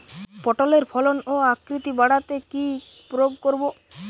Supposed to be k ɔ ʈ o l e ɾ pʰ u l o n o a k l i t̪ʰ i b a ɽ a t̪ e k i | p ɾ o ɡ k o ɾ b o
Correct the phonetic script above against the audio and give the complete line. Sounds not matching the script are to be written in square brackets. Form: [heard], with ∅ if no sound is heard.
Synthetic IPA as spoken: [p] ɔ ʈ o l e ɾ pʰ [ɔ] l o n o a k [ɾ] i [t̪] i b a ɽ a t̪ e k i | p ɾ o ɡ k o ɾ b o